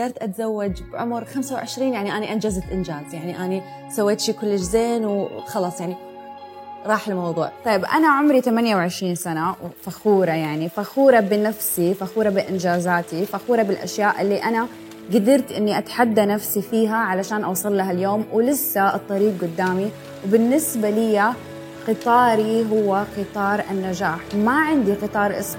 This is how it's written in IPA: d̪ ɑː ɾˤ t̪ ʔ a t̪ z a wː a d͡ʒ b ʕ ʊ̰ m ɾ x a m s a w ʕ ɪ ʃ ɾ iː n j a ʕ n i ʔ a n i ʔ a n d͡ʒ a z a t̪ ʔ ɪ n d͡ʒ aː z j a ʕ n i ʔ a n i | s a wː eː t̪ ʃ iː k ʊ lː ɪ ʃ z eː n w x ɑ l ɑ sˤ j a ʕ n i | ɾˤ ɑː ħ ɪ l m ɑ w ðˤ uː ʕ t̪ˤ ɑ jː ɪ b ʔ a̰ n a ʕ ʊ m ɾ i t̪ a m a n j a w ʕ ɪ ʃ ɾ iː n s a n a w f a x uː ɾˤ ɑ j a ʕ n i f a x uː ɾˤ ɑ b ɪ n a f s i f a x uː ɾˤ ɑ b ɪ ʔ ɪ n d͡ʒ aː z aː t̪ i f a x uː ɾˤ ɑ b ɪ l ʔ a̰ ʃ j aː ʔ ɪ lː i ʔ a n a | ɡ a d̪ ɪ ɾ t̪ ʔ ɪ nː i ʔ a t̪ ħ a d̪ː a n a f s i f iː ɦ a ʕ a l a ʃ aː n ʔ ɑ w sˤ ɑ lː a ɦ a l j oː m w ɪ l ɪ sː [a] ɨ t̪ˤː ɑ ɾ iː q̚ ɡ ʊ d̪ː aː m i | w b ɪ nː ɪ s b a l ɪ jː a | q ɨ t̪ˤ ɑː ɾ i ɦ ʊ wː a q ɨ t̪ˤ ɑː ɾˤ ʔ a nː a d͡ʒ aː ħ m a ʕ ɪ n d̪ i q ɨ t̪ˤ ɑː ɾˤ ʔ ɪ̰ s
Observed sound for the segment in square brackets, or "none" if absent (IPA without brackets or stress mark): a